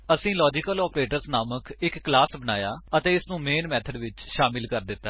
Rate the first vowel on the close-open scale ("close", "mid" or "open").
mid